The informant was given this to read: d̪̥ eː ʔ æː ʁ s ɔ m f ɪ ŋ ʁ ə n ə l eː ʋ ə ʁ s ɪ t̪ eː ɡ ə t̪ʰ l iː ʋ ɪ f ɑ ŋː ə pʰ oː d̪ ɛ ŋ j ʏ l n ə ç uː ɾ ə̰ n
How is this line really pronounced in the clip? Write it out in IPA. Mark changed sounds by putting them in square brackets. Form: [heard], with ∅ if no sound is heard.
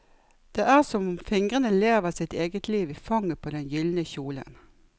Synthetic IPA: d̪̥ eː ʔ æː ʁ s ɔ m f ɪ ŋ ʁ ə n ə l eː ʋ ə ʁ s ɪ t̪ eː ɡ ə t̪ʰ l iː ʋ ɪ f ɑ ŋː ə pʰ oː d̪ ɛ [n] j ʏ l n ə ç uː [l] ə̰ n